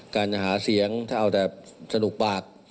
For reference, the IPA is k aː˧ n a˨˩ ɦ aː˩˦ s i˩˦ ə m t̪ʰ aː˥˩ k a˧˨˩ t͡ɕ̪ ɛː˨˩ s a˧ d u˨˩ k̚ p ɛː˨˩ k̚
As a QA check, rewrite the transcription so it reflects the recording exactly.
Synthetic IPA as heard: k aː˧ n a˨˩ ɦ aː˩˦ s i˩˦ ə ŋ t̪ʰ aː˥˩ ʔ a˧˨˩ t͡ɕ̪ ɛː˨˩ s a˧ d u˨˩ k̚ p aː˨˩ k̚

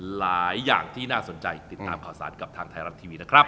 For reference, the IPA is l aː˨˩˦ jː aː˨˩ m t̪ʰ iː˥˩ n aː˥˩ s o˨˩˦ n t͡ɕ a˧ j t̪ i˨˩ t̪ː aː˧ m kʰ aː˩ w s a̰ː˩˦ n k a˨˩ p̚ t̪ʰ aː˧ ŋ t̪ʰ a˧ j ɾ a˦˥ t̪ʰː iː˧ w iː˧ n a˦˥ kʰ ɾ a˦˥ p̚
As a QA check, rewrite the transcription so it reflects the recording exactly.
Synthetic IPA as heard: l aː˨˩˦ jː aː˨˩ ŋ t̪ʰ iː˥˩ n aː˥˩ s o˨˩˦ n t͡ɕ a˧ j t̪ i˨˩ t̪ː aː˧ m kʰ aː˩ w s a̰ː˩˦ n k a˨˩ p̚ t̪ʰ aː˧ ŋ t̪ʰ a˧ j ɾ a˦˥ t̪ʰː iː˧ w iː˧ n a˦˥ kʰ ɾ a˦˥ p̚

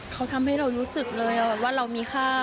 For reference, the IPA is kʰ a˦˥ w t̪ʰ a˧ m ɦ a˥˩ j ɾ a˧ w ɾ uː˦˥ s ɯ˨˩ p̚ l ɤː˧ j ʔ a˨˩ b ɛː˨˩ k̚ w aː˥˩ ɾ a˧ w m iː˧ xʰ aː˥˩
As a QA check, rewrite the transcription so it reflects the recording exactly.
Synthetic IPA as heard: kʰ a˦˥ w t̪ʰ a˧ m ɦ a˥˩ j ɾ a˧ w ɾ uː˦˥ s ɯ˨˩ k̚ l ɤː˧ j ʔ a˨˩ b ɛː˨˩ p̚ w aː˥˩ ɾ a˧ w m iː˧ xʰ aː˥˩

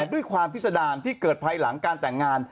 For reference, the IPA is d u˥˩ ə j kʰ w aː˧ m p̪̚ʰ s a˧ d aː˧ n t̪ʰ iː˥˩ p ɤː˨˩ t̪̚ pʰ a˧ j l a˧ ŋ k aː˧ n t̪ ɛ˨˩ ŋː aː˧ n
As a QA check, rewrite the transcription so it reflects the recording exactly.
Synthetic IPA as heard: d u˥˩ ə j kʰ w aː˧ m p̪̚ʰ s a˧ d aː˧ n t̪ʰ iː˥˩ k ɤː˨˩ t̪̚ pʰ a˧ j l a˩˦ ŋ k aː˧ n t̪ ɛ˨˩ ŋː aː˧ n

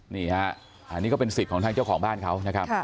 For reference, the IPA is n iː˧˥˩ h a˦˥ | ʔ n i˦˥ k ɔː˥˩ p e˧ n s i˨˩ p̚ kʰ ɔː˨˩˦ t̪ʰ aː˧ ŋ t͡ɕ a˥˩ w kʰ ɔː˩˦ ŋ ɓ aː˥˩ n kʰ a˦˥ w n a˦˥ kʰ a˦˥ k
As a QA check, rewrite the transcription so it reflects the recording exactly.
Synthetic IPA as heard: n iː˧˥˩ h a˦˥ | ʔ n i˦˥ k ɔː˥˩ p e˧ n s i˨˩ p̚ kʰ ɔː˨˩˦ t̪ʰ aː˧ ŋ t͡ɕ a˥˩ w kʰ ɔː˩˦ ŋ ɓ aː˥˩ n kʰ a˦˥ w n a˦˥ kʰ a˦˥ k

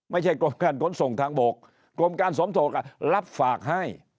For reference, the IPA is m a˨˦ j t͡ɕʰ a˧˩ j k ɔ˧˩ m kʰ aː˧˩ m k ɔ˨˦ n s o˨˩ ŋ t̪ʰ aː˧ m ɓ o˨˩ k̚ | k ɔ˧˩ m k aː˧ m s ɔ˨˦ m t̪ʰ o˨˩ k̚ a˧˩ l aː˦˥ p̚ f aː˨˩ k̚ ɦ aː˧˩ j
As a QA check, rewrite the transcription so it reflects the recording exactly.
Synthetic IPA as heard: m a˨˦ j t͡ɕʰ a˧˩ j k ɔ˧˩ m k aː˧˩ n k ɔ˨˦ n s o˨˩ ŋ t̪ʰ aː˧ ŋ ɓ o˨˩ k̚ | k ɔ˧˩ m k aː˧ n s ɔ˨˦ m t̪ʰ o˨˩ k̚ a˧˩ l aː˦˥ p̚ f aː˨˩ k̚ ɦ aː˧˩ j

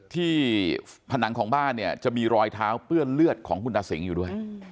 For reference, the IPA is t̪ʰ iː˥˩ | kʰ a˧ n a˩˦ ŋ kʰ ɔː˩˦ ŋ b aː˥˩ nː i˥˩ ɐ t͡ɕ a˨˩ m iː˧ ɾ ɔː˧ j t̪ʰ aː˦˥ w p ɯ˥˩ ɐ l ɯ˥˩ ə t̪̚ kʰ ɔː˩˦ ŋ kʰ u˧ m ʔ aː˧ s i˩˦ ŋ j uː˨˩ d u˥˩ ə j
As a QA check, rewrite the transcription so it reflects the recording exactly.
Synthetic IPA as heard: t̪ʰ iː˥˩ | pʰ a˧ n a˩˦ ŋ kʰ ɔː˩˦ ŋ b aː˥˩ nː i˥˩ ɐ t͡ɕ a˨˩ m iː˧ ɾ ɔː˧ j t̪ʰ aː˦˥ w p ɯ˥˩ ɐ l ɯ˥˩ ə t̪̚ kʰ ɔː˩˦ ŋ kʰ u˧ n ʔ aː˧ s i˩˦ ŋ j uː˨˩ d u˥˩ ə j

